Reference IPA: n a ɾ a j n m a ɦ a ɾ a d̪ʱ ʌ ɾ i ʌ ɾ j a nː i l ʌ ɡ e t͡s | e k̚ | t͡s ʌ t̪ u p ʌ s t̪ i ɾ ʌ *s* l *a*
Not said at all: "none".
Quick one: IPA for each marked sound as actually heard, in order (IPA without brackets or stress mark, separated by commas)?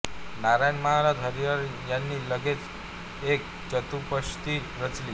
t͡s, i